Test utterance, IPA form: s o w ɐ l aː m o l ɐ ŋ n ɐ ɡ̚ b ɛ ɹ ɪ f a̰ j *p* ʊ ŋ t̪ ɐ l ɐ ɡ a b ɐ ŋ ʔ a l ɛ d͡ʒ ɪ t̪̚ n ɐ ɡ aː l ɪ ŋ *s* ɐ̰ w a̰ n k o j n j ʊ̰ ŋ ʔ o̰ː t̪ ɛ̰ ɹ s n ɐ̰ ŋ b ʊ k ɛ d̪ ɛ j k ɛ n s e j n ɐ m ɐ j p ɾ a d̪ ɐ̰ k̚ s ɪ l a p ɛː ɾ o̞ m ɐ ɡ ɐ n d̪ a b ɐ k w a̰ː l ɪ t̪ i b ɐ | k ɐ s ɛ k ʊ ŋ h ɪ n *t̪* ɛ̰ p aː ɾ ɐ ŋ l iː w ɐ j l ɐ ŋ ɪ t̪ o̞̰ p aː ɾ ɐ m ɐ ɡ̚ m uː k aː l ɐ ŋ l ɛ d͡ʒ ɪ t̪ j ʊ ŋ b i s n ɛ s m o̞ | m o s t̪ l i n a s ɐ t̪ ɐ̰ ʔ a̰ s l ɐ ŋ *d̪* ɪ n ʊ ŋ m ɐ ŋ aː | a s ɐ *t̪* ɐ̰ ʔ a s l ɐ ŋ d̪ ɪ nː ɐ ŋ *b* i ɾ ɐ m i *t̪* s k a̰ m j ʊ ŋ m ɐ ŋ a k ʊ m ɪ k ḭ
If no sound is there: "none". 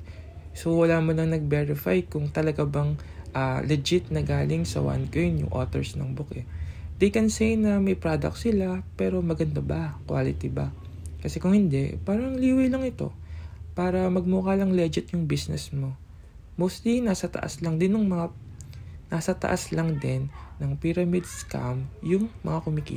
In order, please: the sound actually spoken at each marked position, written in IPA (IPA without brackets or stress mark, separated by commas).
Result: k, s, d̪, d̪, t̪, p, d̪